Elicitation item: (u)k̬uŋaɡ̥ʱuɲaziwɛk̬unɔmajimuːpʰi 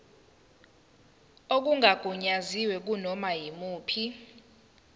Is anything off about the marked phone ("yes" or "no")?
yes